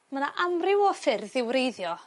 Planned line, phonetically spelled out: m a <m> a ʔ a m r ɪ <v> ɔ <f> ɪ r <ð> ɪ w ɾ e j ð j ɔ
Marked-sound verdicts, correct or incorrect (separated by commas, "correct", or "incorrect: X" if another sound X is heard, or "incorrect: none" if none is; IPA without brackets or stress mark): incorrect: n, incorrect: w, correct, correct